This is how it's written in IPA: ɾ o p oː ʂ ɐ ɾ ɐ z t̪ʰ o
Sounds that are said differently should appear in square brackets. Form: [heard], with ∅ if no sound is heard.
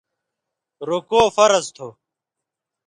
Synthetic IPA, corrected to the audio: ɾ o [k] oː [f] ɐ ɾ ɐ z t̪ʰ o